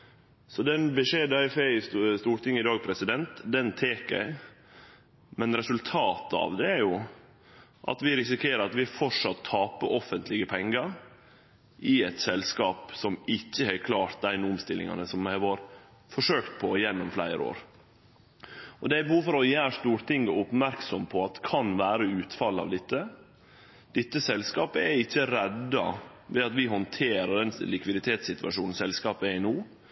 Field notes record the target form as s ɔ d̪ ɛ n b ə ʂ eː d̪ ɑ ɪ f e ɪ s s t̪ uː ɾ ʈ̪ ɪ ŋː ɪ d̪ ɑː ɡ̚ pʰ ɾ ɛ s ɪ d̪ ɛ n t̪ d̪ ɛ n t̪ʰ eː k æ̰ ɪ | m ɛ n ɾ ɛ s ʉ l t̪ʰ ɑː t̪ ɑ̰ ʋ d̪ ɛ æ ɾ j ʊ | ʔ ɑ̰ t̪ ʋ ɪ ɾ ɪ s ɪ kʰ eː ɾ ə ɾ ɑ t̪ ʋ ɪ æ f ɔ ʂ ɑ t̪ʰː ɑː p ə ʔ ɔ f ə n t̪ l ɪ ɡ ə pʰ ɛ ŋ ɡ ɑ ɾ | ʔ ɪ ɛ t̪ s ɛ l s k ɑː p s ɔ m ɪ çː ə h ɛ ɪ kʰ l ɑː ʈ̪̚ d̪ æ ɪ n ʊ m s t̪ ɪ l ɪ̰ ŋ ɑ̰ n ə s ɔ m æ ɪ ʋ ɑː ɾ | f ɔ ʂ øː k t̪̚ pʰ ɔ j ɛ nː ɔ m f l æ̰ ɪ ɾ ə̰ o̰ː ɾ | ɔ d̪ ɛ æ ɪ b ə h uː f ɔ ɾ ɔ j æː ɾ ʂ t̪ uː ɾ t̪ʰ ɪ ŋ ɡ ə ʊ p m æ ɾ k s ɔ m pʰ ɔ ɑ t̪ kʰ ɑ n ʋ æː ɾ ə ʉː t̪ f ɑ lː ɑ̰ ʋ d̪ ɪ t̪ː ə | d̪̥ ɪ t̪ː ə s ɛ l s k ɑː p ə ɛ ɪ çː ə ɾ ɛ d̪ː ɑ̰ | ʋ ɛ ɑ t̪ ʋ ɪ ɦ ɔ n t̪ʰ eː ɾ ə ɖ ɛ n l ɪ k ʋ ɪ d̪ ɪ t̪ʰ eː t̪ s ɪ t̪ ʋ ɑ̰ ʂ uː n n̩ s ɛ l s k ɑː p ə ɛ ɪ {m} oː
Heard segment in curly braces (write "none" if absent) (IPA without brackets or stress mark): n